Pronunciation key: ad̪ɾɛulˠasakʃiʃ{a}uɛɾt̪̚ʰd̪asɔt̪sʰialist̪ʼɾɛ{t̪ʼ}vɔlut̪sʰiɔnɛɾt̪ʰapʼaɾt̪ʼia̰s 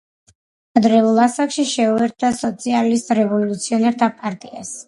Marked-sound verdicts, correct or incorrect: incorrect, incorrect

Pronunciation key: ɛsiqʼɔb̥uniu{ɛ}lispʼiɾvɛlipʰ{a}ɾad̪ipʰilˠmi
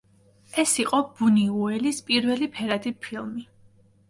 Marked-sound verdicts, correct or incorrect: correct, incorrect

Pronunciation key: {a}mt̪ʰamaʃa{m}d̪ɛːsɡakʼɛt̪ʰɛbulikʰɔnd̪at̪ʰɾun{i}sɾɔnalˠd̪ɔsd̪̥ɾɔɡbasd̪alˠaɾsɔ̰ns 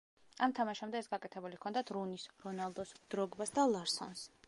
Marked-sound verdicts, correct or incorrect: correct, correct, correct

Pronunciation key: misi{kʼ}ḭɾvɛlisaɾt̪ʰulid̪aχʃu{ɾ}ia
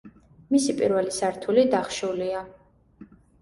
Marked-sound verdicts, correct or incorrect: incorrect, incorrect

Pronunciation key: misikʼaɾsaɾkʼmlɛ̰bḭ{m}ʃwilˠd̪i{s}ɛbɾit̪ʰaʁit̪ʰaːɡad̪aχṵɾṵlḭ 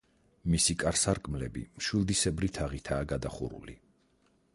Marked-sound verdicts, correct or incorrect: correct, correct

